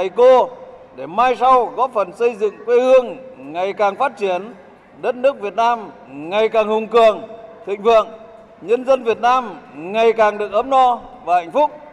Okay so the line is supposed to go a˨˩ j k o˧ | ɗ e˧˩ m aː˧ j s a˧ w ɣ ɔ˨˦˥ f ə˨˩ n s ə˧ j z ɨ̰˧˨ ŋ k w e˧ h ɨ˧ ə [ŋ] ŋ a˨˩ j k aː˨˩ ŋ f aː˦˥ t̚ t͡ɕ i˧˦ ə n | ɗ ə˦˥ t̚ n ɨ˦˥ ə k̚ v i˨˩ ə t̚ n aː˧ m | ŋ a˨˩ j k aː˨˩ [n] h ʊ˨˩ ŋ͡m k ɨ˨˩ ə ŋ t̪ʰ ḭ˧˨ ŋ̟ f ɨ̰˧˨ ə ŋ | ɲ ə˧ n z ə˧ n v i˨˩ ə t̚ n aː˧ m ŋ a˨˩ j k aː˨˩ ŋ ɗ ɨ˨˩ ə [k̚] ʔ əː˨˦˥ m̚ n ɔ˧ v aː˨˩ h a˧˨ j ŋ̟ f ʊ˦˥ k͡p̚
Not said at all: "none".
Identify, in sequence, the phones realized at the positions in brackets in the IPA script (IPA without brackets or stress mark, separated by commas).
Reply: ŋ, ŋ, k̚